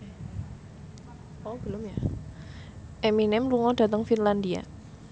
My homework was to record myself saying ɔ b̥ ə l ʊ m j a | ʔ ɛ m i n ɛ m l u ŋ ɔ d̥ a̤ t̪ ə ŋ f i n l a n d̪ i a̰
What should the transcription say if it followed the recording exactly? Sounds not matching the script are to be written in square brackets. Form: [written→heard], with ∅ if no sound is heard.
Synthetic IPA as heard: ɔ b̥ ə l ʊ m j a | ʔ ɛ m i n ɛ m l u ŋ ɔ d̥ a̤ t̪ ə ŋ f i n l a n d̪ i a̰